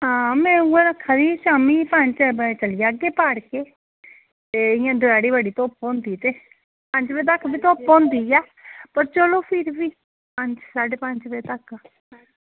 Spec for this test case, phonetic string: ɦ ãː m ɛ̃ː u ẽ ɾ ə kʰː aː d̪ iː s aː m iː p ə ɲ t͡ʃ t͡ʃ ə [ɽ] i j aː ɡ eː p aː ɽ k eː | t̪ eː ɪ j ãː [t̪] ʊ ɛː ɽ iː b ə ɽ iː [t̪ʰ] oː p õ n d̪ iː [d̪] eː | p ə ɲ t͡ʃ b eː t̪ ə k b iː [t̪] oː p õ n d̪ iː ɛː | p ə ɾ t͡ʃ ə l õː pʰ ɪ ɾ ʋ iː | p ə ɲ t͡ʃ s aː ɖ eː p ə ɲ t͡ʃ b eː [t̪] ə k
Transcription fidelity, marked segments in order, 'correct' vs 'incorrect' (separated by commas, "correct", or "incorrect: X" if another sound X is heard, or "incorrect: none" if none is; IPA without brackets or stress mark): incorrect: l, incorrect: d̪, incorrect: t̪, incorrect: t̪, correct, correct